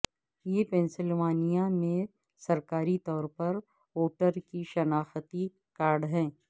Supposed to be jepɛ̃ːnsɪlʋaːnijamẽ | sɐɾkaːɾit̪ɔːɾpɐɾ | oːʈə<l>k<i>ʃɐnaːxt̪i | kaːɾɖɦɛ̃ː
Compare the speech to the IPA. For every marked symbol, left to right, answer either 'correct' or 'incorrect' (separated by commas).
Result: incorrect, correct